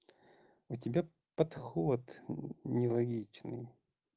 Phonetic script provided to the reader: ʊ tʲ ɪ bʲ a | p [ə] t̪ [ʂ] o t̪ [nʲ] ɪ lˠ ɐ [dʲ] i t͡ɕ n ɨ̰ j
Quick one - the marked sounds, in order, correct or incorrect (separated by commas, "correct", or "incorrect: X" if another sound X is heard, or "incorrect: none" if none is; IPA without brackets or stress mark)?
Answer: incorrect: ɐ, incorrect: x, correct, incorrect: ɡʲ